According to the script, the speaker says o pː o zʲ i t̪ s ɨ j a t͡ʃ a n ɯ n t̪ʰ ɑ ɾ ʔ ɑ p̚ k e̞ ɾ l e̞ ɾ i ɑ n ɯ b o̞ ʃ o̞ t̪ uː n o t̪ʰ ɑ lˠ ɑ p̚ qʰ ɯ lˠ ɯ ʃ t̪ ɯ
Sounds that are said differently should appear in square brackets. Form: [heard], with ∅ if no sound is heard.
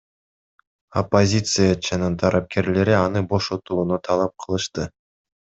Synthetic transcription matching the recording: o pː o zʲ i t̪ s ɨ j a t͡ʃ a n ɯ n t̪ʰ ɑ ɾ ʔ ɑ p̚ k e̞ ɾ l e̞ ɾ i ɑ n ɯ b o̞ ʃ o̞ t̪ uː n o t̪ʰ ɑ lˠ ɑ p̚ qʰ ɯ lˠ ɯ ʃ t̪ ɯ